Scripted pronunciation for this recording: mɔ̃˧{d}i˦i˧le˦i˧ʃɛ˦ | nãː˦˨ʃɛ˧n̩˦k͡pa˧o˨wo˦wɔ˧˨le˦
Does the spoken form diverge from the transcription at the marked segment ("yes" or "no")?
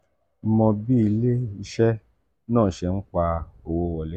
yes